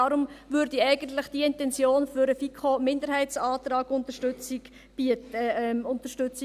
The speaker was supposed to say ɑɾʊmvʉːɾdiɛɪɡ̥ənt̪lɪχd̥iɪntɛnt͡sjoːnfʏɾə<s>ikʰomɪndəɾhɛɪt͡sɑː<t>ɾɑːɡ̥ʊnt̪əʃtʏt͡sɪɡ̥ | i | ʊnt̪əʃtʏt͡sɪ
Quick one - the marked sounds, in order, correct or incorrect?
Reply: incorrect, correct

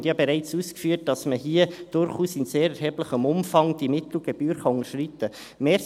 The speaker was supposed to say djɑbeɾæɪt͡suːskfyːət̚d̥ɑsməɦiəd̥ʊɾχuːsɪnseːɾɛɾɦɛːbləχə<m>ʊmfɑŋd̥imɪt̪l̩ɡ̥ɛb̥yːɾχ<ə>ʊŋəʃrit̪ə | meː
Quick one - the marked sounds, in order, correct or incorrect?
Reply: correct, incorrect

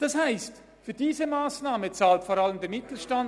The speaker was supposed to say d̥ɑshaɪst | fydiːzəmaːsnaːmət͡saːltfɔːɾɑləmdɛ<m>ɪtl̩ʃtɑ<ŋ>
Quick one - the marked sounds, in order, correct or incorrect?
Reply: correct, incorrect

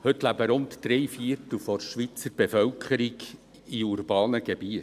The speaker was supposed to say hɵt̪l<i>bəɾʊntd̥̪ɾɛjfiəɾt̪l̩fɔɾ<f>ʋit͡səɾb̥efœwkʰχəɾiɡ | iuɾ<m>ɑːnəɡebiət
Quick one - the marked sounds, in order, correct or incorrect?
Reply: incorrect, incorrect, incorrect

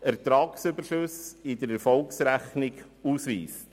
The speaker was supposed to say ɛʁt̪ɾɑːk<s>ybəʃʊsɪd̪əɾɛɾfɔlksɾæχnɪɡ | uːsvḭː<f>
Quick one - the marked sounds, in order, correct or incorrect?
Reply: correct, incorrect

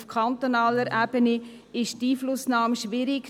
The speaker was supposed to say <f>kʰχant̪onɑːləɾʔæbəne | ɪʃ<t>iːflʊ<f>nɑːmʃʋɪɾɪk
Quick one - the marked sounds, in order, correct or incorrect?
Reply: correct, correct, incorrect

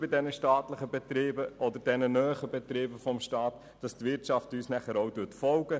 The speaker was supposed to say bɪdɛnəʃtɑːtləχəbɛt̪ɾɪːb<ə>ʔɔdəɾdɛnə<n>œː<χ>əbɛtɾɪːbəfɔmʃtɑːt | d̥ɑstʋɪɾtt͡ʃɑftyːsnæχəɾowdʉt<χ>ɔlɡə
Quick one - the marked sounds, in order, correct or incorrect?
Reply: correct, correct, correct, incorrect

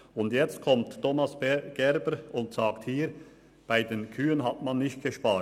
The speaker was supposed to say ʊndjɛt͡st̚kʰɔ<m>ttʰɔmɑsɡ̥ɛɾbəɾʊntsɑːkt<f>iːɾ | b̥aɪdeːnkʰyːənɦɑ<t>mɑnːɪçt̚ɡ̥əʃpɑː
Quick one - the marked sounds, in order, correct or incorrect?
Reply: correct, incorrect, correct

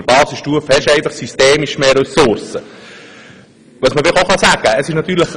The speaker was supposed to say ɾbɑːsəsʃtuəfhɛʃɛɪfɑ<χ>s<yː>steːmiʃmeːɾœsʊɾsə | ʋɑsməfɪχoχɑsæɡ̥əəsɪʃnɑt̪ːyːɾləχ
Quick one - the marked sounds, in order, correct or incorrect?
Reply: correct, incorrect

